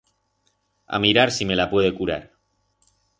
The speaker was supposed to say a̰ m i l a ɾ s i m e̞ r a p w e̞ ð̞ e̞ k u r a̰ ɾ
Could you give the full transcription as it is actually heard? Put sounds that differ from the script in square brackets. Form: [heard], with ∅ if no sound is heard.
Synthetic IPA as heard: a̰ m i [ɾ] a ɾ s i m e̞ [l] a p w e̞ ð̞ e̞ k u [ɾ] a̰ ɾ